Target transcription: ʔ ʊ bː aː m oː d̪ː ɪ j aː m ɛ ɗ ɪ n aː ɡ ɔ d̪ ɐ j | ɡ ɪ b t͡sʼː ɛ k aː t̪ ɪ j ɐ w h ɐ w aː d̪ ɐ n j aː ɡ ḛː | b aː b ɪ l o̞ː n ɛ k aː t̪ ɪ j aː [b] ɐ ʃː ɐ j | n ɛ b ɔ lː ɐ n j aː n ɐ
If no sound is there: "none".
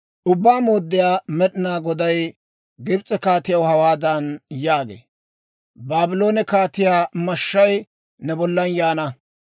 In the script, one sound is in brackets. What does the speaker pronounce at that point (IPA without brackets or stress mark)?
m